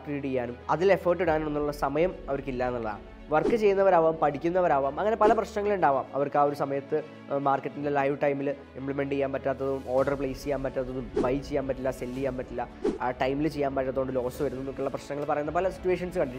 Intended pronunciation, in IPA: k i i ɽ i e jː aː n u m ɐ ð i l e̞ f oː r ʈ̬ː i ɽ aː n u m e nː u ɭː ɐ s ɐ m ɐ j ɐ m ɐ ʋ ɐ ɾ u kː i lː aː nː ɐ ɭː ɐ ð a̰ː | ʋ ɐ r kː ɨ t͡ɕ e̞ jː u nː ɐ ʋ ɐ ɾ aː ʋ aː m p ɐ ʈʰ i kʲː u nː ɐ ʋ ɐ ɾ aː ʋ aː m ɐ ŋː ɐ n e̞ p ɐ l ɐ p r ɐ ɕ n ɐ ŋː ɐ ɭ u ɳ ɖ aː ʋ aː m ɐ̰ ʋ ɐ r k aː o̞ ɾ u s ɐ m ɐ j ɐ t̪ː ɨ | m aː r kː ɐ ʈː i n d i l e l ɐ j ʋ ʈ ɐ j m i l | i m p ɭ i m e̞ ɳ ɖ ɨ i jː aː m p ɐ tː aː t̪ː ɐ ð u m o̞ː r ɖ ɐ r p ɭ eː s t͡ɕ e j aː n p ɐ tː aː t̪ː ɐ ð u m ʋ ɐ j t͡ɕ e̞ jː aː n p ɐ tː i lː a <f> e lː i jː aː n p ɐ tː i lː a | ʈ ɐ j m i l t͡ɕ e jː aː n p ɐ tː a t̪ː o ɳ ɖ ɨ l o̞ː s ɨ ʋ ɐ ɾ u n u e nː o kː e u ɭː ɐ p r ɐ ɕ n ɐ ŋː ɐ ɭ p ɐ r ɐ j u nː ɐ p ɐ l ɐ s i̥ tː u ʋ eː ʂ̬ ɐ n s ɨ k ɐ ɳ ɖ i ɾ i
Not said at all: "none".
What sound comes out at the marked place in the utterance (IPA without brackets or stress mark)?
s